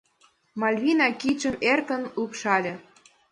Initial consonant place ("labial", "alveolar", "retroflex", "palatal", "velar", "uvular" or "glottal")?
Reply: labial